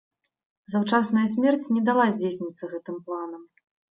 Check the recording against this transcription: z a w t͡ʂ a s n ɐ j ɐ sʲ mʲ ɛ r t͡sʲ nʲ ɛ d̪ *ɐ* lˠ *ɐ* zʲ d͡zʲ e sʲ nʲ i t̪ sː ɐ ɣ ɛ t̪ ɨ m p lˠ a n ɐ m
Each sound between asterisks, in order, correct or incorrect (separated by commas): incorrect, incorrect